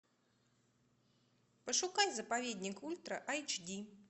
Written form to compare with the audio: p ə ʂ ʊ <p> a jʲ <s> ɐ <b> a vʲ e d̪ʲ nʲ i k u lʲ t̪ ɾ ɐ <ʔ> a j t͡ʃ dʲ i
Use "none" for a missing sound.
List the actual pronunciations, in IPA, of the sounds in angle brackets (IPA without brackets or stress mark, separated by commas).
k, z, p, ʔ